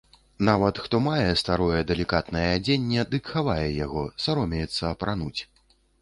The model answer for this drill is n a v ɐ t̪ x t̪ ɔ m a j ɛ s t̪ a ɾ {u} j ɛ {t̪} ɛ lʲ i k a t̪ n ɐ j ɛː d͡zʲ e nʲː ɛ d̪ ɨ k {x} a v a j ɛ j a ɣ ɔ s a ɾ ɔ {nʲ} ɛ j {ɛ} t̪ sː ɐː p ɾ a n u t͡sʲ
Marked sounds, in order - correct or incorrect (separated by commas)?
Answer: incorrect, incorrect, correct, incorrect, correct